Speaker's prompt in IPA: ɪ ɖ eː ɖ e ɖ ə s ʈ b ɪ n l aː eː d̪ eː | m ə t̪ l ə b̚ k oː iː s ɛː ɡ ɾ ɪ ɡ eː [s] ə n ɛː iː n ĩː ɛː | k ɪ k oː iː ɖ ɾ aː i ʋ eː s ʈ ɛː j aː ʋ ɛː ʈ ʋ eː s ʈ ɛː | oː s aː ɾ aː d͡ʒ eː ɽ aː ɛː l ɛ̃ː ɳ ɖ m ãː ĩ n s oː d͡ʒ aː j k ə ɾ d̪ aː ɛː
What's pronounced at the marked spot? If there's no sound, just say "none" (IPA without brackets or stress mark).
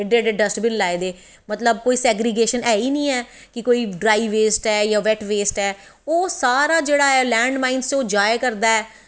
ʃ